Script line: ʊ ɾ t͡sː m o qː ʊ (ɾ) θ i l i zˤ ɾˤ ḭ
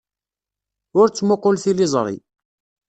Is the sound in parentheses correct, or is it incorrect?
incorrect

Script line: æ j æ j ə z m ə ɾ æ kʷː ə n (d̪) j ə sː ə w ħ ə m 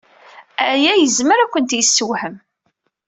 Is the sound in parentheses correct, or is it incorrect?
incorrect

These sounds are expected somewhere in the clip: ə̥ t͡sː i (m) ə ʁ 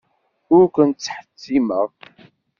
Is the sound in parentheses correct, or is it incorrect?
correct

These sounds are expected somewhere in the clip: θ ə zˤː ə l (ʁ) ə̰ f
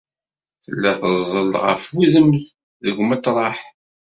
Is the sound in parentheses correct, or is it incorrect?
correct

